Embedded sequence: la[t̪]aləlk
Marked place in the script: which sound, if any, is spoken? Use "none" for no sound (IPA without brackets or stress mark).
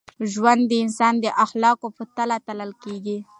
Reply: t̪